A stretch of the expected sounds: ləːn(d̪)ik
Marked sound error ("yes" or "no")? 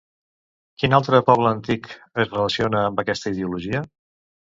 yes